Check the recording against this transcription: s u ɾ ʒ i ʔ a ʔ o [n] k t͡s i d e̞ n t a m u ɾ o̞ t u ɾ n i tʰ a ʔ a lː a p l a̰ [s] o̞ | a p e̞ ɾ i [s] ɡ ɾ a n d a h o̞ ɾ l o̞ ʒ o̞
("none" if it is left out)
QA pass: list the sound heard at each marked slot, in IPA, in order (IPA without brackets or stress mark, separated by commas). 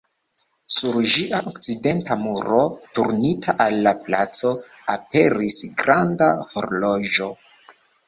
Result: none, t͡s, s